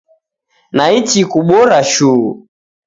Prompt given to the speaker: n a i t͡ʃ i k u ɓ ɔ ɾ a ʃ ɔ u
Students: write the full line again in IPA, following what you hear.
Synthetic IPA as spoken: n a i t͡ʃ i k u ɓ ɔ ɾ a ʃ u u